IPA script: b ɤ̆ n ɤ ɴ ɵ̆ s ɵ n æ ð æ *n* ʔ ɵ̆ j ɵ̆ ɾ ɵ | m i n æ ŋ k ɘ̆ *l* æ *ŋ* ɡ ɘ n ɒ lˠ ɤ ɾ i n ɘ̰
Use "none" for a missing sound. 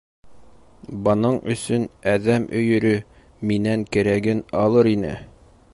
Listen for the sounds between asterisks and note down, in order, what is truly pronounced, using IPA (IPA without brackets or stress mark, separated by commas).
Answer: m, ɾ, none